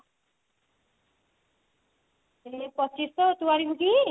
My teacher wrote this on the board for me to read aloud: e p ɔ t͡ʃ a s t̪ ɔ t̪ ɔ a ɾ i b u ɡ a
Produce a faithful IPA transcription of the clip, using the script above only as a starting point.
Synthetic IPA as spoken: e p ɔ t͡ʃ i s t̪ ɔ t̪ u a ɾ i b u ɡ i